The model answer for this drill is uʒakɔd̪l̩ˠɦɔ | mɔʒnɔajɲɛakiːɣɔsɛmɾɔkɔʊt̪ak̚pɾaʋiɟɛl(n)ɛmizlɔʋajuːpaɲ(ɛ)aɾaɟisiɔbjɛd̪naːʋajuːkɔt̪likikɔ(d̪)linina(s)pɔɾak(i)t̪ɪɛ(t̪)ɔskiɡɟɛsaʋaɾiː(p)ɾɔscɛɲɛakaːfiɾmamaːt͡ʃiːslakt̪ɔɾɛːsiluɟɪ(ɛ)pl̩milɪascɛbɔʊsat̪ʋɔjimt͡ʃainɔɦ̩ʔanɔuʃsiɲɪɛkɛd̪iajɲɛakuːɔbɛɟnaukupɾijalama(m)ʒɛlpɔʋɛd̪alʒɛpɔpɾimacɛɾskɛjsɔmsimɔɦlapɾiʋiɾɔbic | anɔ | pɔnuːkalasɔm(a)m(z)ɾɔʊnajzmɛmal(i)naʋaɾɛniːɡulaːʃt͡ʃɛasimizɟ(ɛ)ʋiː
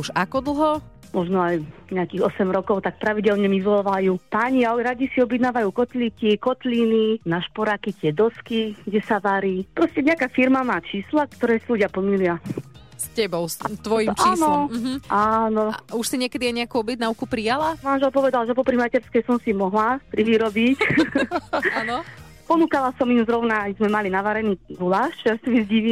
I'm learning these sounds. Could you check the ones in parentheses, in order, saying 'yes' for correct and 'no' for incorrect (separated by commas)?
no, no, no, no, yes, no, yes, no, no, no, yes, yes, no